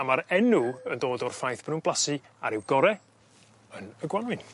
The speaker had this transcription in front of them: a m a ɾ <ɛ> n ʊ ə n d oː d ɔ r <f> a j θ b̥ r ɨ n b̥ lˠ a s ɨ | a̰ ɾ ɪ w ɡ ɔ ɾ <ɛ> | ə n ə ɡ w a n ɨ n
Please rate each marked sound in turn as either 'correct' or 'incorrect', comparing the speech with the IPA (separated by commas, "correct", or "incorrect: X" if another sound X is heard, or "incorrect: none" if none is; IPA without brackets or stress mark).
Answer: correct, correct, correct